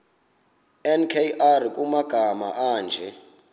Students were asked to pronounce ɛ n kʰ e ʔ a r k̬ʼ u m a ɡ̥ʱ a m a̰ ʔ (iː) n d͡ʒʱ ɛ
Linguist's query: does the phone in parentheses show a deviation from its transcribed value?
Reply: yes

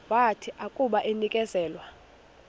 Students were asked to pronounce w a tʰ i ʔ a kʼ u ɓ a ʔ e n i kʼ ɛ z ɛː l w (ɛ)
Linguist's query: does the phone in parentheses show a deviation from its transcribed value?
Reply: yes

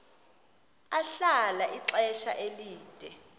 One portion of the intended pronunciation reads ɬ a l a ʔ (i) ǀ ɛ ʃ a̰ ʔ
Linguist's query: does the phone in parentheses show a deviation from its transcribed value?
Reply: no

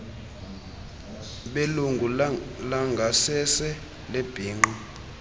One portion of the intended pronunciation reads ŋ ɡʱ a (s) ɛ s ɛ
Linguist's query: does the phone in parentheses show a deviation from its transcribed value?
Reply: no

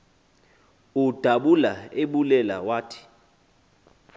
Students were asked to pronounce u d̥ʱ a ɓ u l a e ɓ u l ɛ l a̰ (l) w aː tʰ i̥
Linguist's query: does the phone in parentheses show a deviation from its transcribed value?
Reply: yes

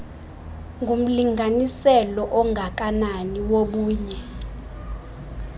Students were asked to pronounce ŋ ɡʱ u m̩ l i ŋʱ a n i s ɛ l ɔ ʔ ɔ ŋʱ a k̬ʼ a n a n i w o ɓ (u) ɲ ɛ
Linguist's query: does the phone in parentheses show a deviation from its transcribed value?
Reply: yes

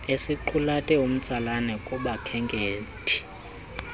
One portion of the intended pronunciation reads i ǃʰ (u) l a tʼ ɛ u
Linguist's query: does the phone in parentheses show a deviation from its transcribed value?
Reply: no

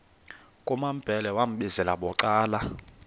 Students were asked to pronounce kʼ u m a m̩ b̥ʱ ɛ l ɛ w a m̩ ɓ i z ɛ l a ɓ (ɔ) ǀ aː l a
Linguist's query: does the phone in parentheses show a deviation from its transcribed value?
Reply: no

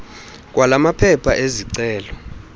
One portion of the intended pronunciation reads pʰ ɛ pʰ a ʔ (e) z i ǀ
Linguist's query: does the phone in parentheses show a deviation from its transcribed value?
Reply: no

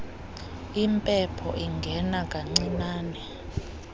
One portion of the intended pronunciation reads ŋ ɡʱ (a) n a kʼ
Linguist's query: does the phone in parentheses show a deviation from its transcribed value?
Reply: yes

